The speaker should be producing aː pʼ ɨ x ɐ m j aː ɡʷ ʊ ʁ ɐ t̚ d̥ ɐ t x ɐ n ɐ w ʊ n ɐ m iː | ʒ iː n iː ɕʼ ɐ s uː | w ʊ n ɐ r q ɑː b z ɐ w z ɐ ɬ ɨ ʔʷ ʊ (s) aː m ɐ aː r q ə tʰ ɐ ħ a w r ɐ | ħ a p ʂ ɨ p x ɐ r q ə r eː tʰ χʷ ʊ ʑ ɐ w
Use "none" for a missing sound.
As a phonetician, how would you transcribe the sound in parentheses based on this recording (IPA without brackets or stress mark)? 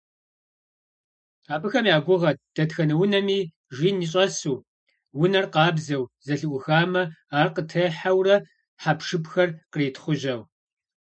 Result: x